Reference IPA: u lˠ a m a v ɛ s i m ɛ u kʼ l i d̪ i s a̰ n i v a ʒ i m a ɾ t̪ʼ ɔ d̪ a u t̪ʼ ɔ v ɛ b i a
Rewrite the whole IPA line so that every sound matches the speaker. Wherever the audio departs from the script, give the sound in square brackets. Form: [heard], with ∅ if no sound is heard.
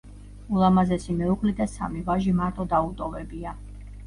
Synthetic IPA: u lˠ a m a [z] ɛ s i m ɛ u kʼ l i d̪ [a] s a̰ [m] i v a ʒ i m a ɾ t̪ʼ ɔ d̪ a u t̪ʼ ɔ v ɛ b i a